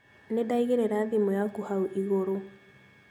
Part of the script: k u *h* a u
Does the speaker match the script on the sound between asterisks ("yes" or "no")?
yes